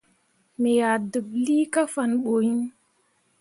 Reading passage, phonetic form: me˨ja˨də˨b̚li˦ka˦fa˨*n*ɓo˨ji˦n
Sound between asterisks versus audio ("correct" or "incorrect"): correct